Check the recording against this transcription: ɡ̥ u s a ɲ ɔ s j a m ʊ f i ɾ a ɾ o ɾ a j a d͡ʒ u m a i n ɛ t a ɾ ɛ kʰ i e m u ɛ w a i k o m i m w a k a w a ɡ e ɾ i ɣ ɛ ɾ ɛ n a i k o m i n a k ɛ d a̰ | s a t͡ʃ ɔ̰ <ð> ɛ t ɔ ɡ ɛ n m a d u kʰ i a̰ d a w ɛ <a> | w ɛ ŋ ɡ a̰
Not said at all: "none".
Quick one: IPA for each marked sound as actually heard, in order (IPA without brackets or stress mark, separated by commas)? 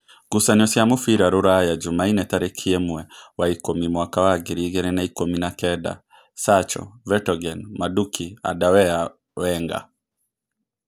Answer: v, a